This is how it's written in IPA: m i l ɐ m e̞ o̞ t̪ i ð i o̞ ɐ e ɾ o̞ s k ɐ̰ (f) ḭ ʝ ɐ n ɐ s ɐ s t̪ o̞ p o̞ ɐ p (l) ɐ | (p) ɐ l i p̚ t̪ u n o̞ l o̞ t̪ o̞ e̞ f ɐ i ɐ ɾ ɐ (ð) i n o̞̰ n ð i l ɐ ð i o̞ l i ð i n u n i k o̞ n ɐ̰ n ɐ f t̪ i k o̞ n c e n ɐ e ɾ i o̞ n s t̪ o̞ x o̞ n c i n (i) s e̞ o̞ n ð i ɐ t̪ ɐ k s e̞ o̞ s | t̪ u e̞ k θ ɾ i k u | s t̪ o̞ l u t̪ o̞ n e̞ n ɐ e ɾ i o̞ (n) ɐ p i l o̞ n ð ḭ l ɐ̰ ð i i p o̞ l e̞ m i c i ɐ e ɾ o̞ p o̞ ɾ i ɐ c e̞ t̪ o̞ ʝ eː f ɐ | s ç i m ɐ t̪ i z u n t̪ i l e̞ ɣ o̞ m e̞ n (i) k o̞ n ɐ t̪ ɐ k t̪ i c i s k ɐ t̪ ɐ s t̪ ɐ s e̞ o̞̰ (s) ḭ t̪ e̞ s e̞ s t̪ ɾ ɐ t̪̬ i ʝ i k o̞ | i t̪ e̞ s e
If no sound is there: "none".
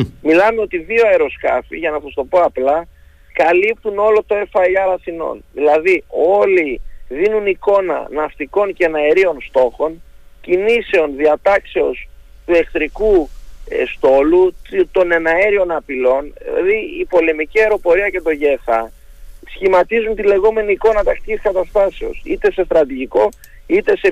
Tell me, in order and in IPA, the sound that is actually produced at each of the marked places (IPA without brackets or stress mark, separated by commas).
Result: f, l, k, θ, i, n, iː, s